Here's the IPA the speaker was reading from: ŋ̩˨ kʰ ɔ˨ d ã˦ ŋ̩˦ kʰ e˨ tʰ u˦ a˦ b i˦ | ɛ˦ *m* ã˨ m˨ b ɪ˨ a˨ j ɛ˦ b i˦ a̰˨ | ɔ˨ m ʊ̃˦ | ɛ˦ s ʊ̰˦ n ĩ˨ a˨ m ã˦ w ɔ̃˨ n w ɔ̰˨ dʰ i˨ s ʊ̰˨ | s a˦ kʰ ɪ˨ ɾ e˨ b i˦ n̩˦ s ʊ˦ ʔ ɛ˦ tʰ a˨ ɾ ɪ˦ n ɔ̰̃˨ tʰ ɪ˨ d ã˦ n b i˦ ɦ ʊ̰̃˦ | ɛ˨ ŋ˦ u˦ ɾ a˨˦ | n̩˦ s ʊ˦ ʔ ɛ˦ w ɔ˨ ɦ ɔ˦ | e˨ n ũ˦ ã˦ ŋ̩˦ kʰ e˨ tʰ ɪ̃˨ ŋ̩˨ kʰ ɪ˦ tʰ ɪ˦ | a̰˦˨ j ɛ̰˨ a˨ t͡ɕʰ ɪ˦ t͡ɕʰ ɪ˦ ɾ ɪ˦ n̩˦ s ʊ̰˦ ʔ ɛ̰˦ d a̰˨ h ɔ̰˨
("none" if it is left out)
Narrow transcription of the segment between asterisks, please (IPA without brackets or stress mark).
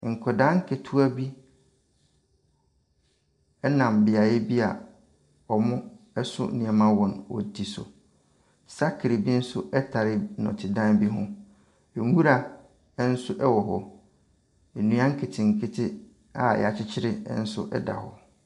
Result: n